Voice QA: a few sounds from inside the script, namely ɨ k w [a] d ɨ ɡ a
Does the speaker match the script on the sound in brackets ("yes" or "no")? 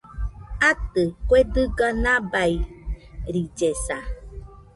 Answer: no